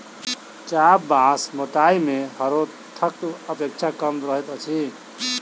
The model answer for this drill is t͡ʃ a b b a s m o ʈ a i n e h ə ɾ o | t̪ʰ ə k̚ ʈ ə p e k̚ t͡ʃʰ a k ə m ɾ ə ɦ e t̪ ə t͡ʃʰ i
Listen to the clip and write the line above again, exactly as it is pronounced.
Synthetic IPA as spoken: t͡ʃ a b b a s m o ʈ a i m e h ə ɾ o | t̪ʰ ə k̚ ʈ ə p e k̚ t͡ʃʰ a k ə m ɾ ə ɦ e t̪ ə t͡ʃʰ i